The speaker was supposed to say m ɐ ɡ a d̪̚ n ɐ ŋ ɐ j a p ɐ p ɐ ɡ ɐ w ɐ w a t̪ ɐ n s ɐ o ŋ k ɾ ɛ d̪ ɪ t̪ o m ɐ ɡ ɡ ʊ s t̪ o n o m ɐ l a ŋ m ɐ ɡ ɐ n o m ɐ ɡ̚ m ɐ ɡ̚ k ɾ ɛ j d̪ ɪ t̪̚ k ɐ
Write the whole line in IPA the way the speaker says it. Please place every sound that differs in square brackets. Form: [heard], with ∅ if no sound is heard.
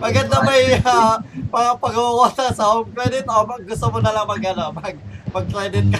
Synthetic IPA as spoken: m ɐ ɡ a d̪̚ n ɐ [m] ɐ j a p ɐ p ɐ ɡ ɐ w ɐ w a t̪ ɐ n s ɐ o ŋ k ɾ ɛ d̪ ɪ t̪ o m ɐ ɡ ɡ ʊ s t̪ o [m] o [n] ɐ l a ŋ m ɐ ɡ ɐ n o m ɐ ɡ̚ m ɐ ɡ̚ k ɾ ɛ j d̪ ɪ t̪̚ k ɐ